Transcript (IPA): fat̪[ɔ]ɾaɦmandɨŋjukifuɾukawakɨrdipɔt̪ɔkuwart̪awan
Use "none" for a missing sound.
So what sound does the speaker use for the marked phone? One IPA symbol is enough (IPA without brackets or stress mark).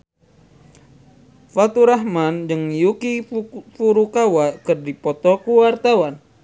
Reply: u